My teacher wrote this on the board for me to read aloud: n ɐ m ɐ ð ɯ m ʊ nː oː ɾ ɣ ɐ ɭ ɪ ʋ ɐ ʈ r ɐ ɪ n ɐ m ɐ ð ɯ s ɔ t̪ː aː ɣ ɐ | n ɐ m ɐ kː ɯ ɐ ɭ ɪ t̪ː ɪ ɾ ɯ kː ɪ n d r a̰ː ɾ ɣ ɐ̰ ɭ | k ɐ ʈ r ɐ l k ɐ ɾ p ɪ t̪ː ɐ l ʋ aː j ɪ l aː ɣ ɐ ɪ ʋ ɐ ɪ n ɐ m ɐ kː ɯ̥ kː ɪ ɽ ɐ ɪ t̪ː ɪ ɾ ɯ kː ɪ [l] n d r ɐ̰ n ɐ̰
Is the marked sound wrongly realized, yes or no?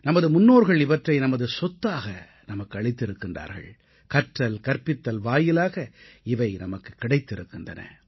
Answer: yes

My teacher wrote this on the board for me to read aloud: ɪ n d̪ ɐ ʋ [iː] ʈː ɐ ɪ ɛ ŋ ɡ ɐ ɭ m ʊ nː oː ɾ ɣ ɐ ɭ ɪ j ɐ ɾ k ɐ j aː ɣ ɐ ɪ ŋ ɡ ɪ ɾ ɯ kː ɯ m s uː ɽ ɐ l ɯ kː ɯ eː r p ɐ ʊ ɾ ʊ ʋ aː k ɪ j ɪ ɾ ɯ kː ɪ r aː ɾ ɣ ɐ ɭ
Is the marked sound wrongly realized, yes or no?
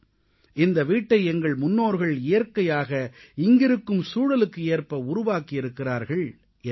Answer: no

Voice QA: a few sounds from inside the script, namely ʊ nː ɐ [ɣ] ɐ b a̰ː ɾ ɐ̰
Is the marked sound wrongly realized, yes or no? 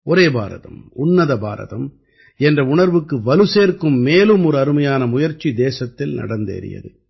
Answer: yes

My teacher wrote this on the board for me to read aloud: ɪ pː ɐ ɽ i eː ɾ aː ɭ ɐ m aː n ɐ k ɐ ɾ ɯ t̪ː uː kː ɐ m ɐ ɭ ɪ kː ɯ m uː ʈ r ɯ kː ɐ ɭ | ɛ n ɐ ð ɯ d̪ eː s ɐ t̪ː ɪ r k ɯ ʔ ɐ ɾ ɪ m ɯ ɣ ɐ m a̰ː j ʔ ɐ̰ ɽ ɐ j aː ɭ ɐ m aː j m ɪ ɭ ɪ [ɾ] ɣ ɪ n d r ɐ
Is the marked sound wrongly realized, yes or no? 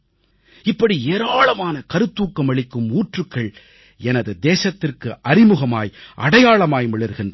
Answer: no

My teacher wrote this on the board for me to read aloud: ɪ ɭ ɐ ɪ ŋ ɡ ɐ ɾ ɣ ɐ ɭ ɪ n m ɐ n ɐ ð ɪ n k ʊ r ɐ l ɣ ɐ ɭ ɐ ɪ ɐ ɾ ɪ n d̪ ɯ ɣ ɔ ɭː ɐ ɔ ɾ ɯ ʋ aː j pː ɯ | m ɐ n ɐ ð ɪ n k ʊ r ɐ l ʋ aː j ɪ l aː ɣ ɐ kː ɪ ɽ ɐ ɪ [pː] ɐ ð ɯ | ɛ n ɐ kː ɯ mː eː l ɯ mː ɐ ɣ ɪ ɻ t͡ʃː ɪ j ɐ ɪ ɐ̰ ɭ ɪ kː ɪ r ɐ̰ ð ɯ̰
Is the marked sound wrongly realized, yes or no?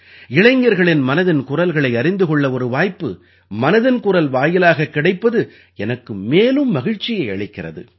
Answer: no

